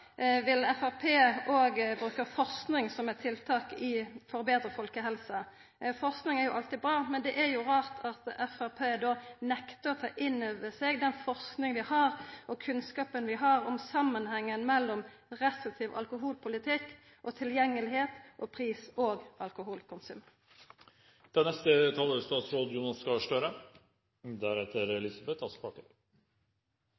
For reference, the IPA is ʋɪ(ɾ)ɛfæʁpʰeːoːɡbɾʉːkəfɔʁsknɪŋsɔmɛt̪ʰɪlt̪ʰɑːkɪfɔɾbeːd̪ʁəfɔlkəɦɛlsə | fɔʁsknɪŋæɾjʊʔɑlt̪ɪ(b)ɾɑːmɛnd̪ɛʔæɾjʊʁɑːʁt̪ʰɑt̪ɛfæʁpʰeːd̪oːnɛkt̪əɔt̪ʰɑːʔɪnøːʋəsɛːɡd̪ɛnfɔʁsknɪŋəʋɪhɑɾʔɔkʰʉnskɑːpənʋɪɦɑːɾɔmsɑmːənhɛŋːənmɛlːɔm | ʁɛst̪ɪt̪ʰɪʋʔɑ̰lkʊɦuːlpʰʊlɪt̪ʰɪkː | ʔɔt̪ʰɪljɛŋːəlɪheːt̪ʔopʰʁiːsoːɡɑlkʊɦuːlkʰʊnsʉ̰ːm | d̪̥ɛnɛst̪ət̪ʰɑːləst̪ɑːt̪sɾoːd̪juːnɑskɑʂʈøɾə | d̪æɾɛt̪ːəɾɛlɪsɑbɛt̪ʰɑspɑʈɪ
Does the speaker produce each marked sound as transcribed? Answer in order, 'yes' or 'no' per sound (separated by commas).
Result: no, yes